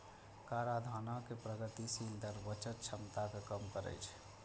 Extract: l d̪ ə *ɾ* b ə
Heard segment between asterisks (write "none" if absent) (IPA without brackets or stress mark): ɾ